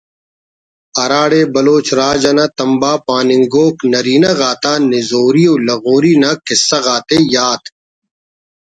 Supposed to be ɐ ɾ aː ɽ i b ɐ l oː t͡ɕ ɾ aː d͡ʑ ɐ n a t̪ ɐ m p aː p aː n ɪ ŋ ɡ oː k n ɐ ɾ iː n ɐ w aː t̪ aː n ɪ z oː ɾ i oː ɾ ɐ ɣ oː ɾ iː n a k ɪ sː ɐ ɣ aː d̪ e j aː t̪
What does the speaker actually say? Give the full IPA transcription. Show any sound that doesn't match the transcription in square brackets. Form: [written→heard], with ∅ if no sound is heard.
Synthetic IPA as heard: ɐ ɾ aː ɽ [i→e] b ɐ l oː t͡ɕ ɾ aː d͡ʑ ɐ n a t̪ ɐ m [p→b] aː p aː n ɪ ŋ ɡ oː k n ɐ ɾ iː n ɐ [w→ɣ] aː t̪ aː n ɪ z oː ɾ i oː [ɾ→l] ɐ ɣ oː ɾ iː n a k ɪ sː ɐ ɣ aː [d̪→t̪] e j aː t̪